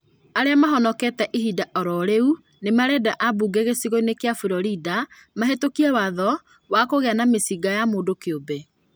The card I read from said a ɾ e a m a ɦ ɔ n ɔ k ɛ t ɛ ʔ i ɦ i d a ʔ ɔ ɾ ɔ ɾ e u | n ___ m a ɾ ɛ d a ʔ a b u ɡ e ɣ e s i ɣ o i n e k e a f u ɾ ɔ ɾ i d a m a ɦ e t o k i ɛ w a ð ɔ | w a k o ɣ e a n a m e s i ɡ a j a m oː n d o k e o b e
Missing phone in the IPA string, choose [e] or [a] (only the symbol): e